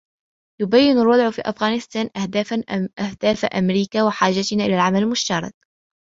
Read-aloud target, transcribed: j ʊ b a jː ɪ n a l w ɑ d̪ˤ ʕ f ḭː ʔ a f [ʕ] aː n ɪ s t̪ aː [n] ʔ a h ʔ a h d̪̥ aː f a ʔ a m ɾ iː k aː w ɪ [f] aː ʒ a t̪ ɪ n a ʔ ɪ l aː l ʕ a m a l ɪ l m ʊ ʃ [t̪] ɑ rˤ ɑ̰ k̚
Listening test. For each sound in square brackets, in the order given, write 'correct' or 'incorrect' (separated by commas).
incorrect, correct, incorrect, correct